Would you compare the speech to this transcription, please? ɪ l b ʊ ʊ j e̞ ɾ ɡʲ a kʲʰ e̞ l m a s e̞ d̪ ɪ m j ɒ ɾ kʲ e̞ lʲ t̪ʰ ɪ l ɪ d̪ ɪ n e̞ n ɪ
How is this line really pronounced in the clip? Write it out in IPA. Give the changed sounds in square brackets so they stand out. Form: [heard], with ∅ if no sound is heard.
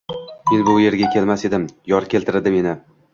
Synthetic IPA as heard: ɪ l b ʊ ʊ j e̞ ɾ ɡʲ a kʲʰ e̞ l m a s e̞ d̪ ɪ m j ɒ ɾ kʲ e̞ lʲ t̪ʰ ɪ [ɾ] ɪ d̪ ɪ [m] e̞ n ɪ